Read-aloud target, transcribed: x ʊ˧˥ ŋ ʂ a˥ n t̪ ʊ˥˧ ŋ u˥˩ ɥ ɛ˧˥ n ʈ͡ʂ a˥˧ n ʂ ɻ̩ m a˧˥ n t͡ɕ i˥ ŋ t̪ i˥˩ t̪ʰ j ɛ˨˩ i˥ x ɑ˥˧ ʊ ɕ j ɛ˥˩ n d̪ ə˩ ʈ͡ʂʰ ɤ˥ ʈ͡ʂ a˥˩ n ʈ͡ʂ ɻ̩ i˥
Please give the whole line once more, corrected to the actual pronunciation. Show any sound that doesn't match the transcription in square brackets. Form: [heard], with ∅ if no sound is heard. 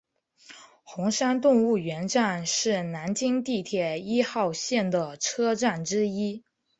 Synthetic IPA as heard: x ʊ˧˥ ŋ ʂ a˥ n t̪ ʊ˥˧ ŋ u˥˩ ɥ ɛ˧˥ n ʈ͡ʂ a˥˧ n ʂ ɻ̩ [n] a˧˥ n t͡ɕ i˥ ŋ t̪ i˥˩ t̪ʰ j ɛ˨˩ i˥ x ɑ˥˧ ʊ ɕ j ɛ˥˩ n d̪ ə˩ ʈ͡ʂʰ ɤ˥ ʈ͡ʂ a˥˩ n ʈ͡ʂ ɻ̩ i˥